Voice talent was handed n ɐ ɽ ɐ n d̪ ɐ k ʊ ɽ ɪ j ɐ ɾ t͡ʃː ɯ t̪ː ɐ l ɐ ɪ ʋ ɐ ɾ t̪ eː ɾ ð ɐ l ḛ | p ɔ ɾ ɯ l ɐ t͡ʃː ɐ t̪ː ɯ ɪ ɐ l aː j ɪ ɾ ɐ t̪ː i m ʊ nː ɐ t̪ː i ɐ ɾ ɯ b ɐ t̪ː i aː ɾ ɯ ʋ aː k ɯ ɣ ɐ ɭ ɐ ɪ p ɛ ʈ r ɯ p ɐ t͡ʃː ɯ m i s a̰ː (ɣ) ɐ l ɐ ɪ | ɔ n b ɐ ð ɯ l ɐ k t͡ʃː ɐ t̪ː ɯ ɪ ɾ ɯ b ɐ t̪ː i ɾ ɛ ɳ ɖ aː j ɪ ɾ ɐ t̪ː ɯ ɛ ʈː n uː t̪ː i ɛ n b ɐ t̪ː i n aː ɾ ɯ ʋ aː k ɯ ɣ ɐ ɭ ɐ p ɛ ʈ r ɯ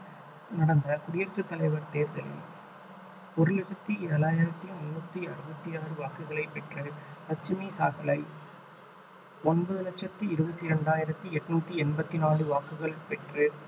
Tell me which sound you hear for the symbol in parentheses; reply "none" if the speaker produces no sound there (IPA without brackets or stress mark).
ɣ